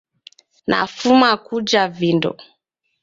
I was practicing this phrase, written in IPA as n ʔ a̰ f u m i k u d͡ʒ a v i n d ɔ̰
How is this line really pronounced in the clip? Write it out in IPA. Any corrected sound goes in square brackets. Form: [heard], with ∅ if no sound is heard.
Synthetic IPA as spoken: n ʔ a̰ f u m [a] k u d͡ʒ a v i n d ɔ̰